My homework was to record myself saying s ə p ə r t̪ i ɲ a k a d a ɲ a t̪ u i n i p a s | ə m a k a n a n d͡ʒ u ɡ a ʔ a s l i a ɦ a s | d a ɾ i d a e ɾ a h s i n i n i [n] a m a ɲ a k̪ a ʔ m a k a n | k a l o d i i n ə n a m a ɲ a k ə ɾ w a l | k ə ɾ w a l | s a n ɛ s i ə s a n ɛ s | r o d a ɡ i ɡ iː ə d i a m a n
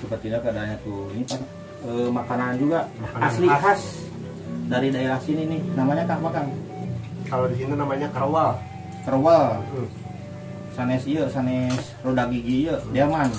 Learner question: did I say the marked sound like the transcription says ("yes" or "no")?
yes